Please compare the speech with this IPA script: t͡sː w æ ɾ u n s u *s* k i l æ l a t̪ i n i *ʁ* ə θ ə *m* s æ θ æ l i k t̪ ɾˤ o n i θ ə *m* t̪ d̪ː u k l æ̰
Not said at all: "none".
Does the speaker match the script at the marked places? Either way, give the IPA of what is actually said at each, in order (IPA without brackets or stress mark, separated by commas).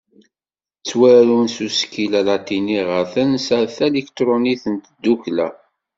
s, ʁ, n, n